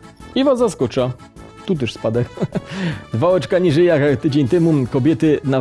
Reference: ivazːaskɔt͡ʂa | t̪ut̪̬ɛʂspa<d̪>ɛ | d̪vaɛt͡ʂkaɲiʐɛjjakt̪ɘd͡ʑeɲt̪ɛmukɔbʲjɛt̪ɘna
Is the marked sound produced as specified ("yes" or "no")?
yes